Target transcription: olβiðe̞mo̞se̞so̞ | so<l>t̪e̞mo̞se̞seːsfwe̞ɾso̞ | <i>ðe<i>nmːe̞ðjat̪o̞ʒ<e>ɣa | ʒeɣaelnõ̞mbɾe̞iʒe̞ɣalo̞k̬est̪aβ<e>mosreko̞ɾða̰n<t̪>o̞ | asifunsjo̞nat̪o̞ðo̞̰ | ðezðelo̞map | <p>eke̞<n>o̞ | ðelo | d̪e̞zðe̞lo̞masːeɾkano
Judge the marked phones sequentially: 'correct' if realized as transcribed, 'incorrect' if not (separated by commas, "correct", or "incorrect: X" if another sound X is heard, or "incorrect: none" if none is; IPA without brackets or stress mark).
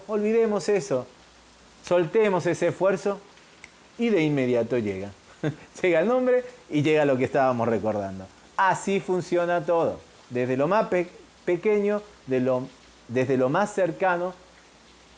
correct, correct, correct, correct, incorrect: a, incorrect: d̪, correct, incorrect: ɲ